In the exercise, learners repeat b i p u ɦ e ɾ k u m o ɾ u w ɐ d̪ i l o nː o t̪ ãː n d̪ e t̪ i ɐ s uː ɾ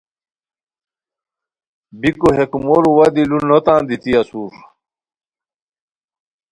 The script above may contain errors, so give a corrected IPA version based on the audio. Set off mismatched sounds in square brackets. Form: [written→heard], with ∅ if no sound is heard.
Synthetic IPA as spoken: b i [p→k] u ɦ e [ɾ→∅] k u m o ɾ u w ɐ d̪ i l [o→u] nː o t̪ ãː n d̪ [e→i] t̪ i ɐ s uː ɾ

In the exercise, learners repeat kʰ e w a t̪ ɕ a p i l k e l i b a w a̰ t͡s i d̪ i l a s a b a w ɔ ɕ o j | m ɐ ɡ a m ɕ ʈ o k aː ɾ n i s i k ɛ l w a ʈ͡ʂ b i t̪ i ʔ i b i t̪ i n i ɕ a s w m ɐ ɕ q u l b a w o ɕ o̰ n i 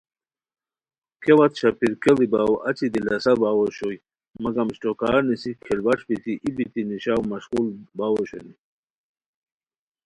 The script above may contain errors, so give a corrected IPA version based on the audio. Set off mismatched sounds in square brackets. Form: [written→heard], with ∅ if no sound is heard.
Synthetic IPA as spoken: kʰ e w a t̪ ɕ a p i [l→ɾ] k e l i b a w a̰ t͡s i d̪ i l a s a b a w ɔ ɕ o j | m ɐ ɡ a m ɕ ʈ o k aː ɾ n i s i [k→kʰ] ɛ l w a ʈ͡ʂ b i t̪ i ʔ i b i t̪ i n i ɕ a [s→∅] w m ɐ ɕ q u l b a w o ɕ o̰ n i

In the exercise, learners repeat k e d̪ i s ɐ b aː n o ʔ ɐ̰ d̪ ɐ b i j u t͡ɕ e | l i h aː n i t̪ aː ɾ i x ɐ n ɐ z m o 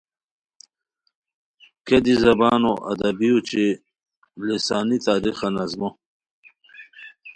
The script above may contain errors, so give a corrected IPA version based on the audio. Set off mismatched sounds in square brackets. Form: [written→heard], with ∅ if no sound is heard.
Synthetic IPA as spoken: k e d̪ i [s→z] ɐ b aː n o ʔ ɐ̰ d̪ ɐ b i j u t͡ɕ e | l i [h→s] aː n i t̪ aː ɾ i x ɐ n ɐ z m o

